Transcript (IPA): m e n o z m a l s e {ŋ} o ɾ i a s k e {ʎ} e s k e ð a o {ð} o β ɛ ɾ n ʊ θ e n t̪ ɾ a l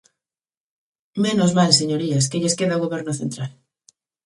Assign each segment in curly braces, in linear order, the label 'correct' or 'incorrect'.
incorrect, correct, incorrect

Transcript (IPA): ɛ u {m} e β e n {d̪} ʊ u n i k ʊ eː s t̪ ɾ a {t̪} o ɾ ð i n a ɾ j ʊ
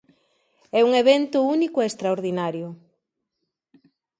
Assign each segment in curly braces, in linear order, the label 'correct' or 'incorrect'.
incorrect, incorrect, incorrect

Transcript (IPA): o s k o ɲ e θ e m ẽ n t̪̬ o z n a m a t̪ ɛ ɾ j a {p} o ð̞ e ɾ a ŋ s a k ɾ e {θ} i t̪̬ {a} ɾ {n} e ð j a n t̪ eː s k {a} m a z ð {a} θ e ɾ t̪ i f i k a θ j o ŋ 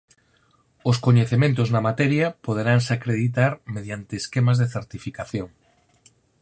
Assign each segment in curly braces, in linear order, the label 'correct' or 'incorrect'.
correct, incorrect, correct, incorrect, incorrect, incorrect

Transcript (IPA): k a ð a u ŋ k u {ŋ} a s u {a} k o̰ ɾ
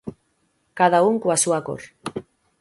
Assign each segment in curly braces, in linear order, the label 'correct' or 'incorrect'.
incorrect, correct

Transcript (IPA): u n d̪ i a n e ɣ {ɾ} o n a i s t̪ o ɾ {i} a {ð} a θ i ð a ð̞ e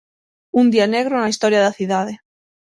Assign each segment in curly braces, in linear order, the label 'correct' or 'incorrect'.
correct, incorrect, correct

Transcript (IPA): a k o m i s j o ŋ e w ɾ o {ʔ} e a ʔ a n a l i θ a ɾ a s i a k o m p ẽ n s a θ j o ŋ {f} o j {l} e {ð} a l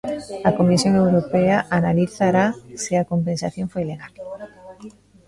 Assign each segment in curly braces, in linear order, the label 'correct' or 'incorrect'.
incorrect, correct, correct, incorrect

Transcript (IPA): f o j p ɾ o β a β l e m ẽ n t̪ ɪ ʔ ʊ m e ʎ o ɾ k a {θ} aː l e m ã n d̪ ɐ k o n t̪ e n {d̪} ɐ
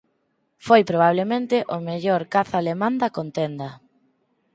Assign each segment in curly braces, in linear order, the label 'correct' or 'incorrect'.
correct, correct

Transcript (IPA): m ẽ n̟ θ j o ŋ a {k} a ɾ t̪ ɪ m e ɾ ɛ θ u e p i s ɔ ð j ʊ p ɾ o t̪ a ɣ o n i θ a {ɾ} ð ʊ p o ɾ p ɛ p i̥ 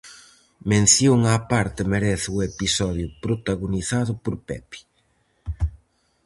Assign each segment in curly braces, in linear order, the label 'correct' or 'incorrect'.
incorrect, incorrect

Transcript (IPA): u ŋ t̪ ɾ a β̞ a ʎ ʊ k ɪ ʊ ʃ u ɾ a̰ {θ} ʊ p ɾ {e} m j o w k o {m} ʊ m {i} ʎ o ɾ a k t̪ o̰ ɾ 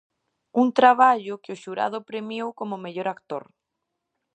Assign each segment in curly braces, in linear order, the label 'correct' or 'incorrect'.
incorrect, correct, correct, incorrect

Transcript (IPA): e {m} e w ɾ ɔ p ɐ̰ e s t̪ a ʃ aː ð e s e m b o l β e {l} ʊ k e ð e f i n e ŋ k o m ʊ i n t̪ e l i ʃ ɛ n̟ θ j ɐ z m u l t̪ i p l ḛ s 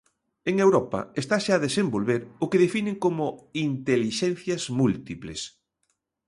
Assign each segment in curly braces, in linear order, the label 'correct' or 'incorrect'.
incorrect, incorrect

